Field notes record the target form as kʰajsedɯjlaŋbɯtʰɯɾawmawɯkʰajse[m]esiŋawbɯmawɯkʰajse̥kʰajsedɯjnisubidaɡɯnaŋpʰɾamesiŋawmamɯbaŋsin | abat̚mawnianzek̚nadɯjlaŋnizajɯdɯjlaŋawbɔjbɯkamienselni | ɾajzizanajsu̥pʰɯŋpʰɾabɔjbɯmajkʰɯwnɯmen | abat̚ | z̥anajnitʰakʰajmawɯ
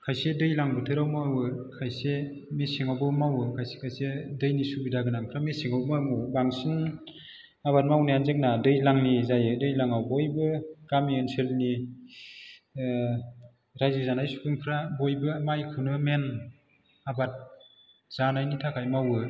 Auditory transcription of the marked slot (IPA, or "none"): m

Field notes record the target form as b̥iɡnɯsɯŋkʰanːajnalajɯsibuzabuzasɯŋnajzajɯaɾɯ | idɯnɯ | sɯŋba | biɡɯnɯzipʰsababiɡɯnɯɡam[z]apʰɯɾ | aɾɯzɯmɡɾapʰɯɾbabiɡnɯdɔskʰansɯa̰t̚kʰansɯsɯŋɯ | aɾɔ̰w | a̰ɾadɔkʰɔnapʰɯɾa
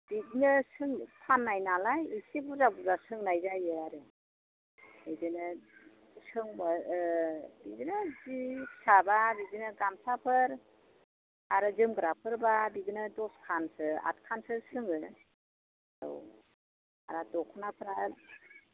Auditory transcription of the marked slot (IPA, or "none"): s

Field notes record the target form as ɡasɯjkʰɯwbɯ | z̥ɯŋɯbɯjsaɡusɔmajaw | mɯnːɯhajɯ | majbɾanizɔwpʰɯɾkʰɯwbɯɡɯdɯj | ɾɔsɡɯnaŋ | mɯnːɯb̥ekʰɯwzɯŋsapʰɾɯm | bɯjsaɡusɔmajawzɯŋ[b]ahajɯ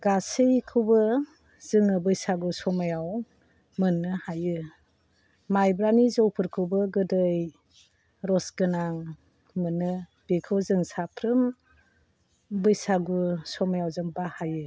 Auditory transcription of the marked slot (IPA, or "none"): b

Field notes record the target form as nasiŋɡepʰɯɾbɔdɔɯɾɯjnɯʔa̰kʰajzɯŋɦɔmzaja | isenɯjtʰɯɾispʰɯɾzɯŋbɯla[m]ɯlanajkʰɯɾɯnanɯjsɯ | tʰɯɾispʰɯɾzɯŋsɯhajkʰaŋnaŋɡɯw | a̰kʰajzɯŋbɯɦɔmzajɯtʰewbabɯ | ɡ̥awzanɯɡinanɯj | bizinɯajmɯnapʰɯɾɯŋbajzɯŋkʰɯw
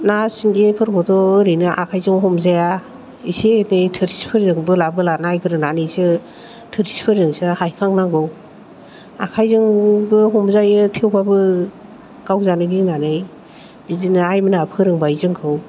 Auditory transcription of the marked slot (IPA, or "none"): b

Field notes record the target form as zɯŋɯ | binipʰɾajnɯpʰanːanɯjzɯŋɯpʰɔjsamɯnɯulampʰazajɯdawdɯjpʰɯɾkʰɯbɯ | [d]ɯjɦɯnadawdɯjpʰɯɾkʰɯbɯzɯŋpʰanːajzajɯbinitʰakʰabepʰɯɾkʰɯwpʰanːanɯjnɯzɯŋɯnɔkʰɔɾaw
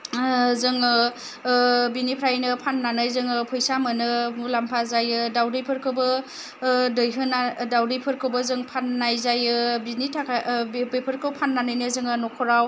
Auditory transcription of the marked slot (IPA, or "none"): d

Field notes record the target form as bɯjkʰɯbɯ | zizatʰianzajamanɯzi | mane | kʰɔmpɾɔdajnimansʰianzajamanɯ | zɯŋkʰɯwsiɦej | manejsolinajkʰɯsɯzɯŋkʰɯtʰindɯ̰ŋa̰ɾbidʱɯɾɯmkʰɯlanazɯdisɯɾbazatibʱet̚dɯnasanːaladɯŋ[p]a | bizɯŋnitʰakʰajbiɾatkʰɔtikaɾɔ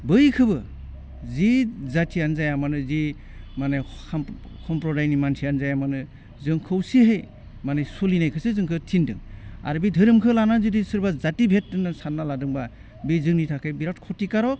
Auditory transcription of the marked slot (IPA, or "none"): b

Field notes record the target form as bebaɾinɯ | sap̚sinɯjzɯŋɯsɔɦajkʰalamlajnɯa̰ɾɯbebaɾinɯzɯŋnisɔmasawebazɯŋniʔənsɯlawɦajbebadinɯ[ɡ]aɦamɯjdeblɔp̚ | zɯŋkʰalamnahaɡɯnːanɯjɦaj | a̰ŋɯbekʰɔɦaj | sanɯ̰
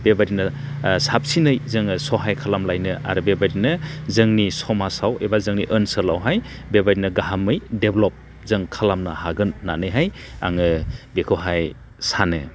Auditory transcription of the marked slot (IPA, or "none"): ɡ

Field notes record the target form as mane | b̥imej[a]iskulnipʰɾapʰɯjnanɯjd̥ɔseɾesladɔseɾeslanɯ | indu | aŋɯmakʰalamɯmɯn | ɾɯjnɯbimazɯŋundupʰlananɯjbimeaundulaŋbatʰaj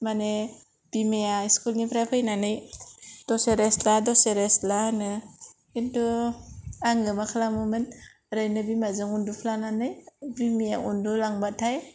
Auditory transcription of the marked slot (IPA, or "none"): a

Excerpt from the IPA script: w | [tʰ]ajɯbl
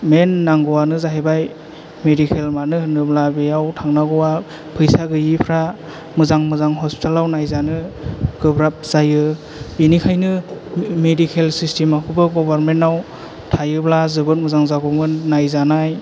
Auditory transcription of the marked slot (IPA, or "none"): tʰ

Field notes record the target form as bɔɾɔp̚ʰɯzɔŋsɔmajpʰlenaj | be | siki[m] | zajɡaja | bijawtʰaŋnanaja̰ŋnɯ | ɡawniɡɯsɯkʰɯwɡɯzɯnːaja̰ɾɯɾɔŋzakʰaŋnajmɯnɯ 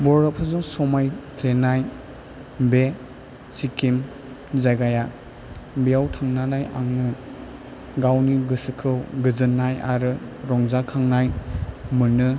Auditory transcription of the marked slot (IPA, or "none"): m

